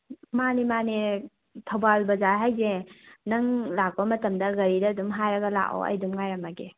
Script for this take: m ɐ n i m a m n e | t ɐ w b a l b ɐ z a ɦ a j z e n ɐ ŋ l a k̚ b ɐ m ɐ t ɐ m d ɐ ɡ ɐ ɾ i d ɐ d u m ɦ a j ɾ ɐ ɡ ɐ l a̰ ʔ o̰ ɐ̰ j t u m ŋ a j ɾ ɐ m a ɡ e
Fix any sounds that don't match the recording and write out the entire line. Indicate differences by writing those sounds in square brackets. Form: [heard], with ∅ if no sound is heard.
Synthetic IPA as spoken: m [a] n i m a [∅] n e | [tʰ] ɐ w b a l b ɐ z a ɦ a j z e n ɐ ŋ l a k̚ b ɐ m ɐ t ɐ m d ɐ ɡ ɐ ɾ i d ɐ d u m ɦ a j ɾ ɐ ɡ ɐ l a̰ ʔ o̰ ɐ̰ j [d] u m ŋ a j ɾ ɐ m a ɡ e